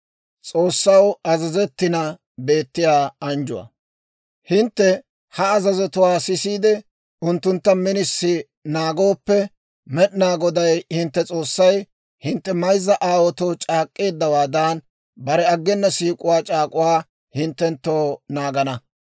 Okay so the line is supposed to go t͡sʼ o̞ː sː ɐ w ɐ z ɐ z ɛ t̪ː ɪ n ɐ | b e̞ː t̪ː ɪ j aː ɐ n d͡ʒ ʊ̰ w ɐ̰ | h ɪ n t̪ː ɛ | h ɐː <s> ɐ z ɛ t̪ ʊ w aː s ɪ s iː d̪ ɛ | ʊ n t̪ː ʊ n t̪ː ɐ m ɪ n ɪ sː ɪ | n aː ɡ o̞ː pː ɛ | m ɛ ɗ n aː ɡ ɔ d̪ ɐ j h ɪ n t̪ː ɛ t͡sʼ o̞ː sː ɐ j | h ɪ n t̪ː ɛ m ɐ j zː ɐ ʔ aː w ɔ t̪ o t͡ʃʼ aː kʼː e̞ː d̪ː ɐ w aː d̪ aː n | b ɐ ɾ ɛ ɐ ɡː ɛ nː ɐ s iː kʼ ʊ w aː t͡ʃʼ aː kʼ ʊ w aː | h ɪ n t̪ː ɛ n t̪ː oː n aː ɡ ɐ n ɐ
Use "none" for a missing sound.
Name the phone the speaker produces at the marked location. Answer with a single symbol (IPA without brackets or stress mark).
z